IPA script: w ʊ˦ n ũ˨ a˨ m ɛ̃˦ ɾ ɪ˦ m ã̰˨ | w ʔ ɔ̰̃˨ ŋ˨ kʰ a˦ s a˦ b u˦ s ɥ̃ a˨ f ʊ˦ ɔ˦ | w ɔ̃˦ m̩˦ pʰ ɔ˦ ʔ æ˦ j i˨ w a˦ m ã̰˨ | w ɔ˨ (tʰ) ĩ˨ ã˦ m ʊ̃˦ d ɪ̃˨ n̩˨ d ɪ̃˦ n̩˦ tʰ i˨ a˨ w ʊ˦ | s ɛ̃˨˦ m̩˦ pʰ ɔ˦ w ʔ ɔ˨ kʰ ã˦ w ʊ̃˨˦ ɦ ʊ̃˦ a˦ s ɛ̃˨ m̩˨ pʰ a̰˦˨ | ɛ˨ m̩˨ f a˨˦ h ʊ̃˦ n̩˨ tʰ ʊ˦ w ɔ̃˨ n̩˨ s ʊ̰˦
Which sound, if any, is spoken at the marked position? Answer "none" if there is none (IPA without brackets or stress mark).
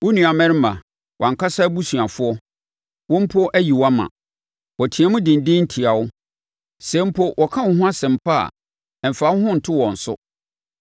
tʰ